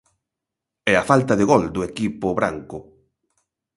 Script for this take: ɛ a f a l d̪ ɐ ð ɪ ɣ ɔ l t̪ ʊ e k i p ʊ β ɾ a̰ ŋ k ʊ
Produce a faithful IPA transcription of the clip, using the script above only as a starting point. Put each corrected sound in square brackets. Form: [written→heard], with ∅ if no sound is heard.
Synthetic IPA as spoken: ɛ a f a l [d̪→t̪] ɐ ð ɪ ɣ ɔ l [t̪→d̪] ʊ e k i p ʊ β ɾ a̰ ŋ k ʊ

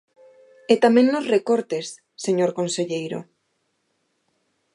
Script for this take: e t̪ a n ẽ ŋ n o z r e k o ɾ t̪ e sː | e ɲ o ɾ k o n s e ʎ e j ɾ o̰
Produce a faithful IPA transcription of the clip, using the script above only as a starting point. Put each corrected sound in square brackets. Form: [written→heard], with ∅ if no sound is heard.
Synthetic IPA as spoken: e t̪ a [n→m] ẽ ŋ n o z r e k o ɾ t̪ e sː | e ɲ o ɾ k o n s e ʎ e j ɾ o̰

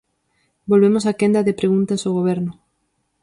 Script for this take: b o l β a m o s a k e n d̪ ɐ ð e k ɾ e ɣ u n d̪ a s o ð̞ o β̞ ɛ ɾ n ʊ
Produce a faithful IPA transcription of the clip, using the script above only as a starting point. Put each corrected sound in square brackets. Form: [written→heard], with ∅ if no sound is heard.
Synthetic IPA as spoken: b o l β [a→e] m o s a k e n d̪ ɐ ð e [k→p] ɾ e ɣ u n [d̪→t̪] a s o [ð̞→ɣ̞] o β̞ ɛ ɾ n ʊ

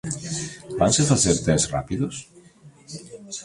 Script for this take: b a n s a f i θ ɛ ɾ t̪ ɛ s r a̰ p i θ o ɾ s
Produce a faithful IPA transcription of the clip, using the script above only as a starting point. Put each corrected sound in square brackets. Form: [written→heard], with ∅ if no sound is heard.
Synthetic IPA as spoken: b a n s [a→e] f [i→a] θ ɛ ɾ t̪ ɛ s r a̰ p i [θ→ð] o [ɾ→∅] s

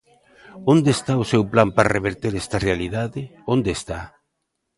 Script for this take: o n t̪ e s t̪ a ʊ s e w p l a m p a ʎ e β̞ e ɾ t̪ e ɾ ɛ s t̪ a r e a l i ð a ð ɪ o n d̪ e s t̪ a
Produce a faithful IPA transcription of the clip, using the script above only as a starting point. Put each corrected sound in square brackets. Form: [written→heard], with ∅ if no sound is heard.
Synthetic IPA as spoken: o n [t̪→d̪] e s t̪ a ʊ s e w p l a m p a [ʎ→r] e β̞ e ɾ t̪ e ɾ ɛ s t̪ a r e a l i ð a ð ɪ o n d̪ e s t̪ a

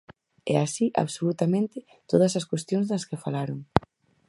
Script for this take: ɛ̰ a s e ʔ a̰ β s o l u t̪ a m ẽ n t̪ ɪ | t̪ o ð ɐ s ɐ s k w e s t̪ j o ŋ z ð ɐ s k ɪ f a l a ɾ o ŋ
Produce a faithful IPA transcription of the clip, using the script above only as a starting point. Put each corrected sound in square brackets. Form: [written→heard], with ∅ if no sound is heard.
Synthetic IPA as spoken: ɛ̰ a s [e→i] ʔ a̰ β s o l u t̪ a m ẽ n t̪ ɪ | t̪ o ð ɐ s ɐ s k w e s t̪ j o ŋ z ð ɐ s k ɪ f a l a ɾ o ŋ

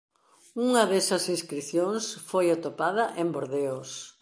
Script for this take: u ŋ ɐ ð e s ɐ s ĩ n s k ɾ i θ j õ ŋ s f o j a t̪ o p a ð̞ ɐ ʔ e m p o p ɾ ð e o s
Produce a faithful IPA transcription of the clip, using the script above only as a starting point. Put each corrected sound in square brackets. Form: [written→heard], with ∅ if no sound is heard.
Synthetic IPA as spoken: u ŋ ɐ ð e s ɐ s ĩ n s k ɾ i θ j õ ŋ s f o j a t̪ o p a ð̞ ɐ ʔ e m [p→b] o [p→∅] ɾ ð e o s

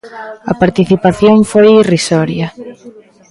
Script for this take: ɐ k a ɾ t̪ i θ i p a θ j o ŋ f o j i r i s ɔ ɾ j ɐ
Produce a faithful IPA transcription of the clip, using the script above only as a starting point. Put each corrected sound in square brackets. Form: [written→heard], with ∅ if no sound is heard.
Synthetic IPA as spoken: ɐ [k→p] a ɾ t̪ i θ i p a θ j o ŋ f o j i r i s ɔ ɾ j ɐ

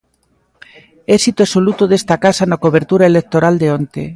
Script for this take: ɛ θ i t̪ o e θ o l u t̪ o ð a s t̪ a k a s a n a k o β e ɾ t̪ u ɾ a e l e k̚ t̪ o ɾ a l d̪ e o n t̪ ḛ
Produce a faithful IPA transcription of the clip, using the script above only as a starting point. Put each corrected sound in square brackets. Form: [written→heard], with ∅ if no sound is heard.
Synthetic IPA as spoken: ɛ [θ→s] i t̪ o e [θ→s] o l u t̪ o ð [a→e] s t̪ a k a s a n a k o β e ɾ t̪ u ɾ a e l e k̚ t̪ o ɾ a l d̪ e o n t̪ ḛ

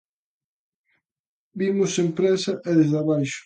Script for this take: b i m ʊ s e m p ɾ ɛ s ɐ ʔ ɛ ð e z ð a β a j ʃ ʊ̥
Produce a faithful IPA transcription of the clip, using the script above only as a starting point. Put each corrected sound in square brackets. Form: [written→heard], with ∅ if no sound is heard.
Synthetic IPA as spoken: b i m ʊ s e m p ɾ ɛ s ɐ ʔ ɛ ð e z ð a β a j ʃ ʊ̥

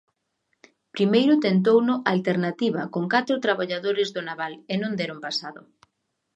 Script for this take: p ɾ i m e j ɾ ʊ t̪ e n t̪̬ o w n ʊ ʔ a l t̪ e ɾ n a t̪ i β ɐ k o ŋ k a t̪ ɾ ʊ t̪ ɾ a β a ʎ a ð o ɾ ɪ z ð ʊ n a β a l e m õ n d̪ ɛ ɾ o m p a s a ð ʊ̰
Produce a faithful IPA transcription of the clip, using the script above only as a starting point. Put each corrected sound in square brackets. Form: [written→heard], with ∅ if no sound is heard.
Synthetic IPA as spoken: p ɾ i m e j ɾ ʊ t̪ e n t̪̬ o w n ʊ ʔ a l t̪ e ɾ n a t̪ i β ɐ k o ŋ k a t̪ ɾ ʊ t̪ ɾ a β a ʎ a ð o ɾ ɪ z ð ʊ n a β a l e [m→n] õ n d̪ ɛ ɾ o m p a s a ð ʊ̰

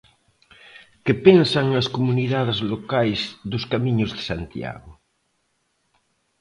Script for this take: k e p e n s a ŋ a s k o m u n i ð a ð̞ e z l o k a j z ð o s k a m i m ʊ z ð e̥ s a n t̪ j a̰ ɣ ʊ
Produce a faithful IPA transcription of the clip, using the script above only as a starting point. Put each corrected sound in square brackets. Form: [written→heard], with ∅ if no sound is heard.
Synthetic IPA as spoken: k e p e n s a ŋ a s k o m u n i ð a ð̞ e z l o k a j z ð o s k a m i [m→ɲ] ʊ z ð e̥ s a n t̪ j a̰ ɣ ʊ

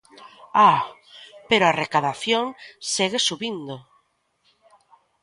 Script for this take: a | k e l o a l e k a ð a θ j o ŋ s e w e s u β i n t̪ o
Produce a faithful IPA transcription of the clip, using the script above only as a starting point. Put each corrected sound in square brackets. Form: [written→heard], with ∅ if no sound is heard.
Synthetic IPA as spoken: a | [k→p] e [l→ɾ] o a [l→r] e k a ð a θ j o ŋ s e [w→ɣ] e s u β i n [t̪→d̪] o

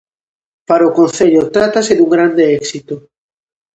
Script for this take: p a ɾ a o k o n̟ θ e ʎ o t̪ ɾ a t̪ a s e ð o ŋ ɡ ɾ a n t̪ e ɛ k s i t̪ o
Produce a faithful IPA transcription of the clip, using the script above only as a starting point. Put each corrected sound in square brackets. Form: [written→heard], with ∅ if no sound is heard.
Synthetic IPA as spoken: p a ɾ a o k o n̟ θ e ʎ o t̪ ɾ a t̪ a s e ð [o→u] ŋ ɡ ɾ a n [t̪→d̪] e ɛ k s i t̪ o

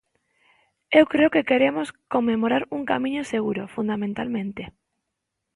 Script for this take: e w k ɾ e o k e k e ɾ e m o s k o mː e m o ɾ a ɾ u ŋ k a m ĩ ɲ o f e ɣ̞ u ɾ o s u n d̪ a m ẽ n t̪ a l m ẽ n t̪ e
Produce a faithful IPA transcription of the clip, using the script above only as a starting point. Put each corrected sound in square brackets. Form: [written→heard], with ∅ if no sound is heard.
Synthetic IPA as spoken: e w k ɾ e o k e k e ɾ e m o s k o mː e m o ɾ a ɾ u ŋ k a m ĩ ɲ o [f→s] e ɣ̞ u ɾ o [s→f] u n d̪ a m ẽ n t̪ a l m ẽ n t̪ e

